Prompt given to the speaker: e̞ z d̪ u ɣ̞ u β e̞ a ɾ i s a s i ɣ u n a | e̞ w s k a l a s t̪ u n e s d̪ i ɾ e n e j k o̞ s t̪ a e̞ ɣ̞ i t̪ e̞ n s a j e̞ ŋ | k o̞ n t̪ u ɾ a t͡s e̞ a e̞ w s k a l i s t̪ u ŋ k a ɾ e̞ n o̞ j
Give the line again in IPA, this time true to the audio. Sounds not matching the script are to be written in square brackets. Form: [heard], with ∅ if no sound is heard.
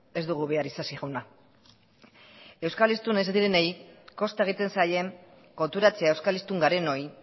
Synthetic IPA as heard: e̞ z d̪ u ɣ̞ u β e̞ a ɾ i s a s i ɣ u n a | e̞ w s k a l [i] s t̪ u n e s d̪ i ɾ e n e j k o̞ s t̪ a e̞ ɣ̞ i t̪ e̞ n s a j e̞ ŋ | k o̞ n t̪ u ɾ a t͡s e̞ a e̞ w s k a l i s t̪ u ŋ [ɡ] a ɾ e̞ n o̞ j